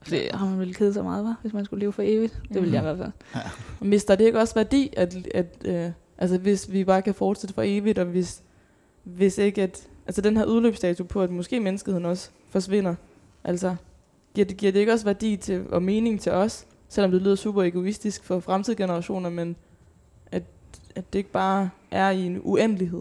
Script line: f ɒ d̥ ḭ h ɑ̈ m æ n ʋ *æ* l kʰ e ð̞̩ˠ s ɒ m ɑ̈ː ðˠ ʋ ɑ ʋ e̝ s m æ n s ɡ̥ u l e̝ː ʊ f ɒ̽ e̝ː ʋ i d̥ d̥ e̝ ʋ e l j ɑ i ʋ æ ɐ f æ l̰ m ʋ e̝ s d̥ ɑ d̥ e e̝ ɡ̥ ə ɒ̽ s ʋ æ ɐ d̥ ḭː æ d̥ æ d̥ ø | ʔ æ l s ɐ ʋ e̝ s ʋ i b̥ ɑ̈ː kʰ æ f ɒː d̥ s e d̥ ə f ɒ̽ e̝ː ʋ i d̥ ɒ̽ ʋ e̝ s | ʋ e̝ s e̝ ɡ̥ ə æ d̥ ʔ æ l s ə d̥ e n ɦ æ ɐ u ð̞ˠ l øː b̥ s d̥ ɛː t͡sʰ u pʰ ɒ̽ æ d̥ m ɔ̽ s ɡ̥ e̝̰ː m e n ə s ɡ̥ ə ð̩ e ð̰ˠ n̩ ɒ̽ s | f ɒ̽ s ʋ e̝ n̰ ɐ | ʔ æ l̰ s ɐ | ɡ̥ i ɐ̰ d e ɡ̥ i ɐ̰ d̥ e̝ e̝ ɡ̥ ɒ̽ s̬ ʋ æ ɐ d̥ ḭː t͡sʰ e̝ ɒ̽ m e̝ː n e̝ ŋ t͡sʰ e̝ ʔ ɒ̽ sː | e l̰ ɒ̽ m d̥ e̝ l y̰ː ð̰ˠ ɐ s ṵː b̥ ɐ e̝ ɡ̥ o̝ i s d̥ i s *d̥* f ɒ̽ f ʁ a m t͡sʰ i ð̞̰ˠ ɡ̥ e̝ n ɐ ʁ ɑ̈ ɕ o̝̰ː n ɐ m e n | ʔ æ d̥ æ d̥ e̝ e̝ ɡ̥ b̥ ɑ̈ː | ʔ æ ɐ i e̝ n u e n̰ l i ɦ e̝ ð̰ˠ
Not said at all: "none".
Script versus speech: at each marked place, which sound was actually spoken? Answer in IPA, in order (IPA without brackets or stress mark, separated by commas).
e, ɡ̥